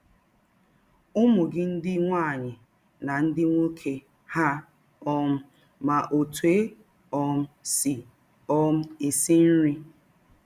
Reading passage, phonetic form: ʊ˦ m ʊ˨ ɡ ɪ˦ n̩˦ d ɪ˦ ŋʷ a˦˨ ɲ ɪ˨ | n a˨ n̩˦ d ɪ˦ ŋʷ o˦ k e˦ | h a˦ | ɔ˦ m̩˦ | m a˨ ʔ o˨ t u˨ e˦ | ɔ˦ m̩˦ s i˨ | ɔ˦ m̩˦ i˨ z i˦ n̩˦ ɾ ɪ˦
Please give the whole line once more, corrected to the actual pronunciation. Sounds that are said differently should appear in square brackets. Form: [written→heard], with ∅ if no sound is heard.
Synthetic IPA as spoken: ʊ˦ m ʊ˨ ɡ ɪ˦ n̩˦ d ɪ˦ ŋʷ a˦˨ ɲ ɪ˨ | n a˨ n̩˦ d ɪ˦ ŋʷ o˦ [k→kʰ] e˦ | h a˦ | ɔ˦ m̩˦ | m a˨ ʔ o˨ t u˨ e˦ | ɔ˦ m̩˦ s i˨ | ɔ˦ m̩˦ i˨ [z→s] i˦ n̩˦ ɾ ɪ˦

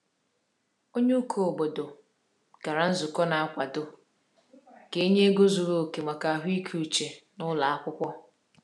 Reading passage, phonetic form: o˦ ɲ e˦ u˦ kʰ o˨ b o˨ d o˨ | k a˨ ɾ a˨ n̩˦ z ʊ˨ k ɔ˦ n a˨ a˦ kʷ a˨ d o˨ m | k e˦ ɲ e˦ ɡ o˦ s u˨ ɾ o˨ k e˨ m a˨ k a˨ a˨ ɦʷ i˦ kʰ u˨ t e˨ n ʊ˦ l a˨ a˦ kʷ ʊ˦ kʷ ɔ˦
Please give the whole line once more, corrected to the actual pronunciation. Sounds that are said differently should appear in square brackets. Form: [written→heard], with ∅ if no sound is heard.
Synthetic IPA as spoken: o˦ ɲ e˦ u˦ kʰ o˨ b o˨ d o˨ | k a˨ ɾ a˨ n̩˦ z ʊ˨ k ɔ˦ n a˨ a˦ kʷ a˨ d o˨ [m→∅] | k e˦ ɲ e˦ ɡ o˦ [s→z] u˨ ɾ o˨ k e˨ m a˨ k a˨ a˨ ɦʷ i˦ kʰ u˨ [t→t͡ʃ] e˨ n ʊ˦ l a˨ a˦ kʷ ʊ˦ kʷ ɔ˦

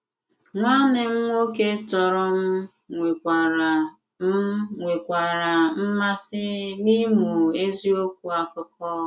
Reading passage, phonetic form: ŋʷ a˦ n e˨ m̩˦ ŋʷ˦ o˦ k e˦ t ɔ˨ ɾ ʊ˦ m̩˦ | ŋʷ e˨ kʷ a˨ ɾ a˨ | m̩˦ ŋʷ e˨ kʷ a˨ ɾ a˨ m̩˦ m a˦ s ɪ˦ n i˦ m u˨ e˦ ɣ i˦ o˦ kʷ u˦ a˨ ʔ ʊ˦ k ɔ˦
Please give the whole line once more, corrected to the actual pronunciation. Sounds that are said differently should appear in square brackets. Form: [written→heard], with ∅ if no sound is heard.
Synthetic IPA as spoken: ŋʷ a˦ n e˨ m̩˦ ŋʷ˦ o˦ k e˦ t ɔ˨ ɾ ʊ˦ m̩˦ | ŋʷ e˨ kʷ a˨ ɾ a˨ | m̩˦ ŋʷ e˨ kʷ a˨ ɾ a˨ m̩˦ m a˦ s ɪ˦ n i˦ m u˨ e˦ [ɣ→z] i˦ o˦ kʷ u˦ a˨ [ʔ→k] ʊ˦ k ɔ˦

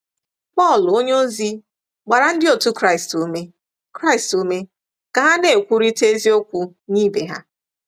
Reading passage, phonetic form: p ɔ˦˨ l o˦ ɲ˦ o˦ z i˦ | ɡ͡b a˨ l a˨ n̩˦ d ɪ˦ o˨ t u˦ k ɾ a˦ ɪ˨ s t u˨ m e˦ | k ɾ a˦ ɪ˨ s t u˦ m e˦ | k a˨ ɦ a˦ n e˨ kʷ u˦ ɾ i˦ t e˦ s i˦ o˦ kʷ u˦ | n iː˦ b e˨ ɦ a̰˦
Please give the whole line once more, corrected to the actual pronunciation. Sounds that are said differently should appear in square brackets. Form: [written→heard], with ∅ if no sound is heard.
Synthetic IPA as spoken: p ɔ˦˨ l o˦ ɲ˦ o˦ z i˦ | ɡ͡b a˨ [l→ɾ] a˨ n̩˦ d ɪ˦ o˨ t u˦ k ɾ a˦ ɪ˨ s t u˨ m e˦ | k ɾ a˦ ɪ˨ s t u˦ m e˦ | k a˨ ɦ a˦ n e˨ kʷ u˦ ɾ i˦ t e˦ [s→z] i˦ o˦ kʷ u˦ | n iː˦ b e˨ ɦ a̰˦

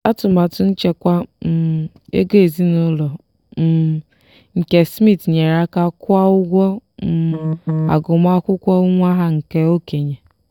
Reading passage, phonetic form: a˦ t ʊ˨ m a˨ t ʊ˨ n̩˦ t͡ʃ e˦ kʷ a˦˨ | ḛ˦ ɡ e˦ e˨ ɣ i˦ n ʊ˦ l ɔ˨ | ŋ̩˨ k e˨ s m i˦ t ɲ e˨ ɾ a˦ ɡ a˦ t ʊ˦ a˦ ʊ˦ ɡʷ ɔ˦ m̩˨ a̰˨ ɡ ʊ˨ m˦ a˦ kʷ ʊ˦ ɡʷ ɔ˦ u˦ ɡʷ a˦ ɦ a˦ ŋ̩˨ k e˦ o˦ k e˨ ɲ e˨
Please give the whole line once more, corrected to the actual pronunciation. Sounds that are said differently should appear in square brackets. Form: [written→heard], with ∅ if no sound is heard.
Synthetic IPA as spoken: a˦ t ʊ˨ m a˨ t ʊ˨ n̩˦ t͡ʃ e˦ kʷ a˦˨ | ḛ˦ ɡ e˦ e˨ [ɣ→z] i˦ n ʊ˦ l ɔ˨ | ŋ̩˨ k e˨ s m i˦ t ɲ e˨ ɾ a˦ [ɡ→k] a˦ [t→k] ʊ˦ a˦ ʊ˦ ɡʷ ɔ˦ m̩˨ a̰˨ ɡ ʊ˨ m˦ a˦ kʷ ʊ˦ [ɡʷ→kʷ] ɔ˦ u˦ [ɡʷ→ŋʷ] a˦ ɦ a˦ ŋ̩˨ k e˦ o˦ k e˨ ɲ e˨

